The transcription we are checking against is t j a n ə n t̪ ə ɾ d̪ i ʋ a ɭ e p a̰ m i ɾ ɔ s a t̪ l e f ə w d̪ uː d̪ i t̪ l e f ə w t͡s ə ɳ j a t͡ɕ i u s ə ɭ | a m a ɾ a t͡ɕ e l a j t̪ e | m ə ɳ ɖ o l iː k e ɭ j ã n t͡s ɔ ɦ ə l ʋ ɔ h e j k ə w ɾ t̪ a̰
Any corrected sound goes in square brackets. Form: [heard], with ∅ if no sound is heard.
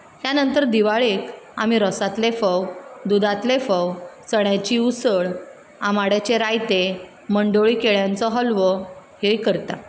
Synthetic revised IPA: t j a n ə n t̪ ə ɾ d̪ i ʋ a ɭ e [k] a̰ m i ɾ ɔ s a t̪ l e f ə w d̪ [u] d̪ [a] t̪ l e f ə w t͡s ə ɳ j a t͡ɕ i u s ə ɭ | a m a [ɽ] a t͡ɕ e [ɾ] a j t̪ e | m ə ɳ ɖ o [ɭ] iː k e ɭ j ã n t͡s ɔ ɦ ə l ʋ ɔ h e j k ə [∅] ɾ t̪ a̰